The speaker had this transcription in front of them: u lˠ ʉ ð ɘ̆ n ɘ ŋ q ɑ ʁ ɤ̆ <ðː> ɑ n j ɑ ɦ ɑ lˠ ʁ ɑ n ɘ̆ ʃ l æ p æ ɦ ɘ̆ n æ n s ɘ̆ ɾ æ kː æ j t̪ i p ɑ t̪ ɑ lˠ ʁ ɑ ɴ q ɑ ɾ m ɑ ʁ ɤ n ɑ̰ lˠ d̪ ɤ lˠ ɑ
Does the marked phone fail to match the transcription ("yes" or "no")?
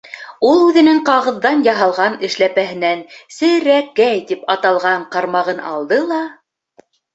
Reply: no